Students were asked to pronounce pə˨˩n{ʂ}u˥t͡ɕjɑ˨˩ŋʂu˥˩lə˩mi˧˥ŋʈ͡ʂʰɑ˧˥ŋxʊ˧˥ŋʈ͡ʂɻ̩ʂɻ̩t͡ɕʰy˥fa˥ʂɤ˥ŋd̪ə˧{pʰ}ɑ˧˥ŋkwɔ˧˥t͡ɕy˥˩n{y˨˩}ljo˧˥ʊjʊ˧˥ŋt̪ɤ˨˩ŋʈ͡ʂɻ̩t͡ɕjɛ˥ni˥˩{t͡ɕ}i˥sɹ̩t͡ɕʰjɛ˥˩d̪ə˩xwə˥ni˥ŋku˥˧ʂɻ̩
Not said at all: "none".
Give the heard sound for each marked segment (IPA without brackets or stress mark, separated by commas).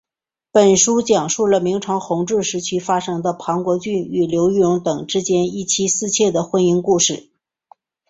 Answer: ʂ, pʰ, y˨˩, t͡ɕʰ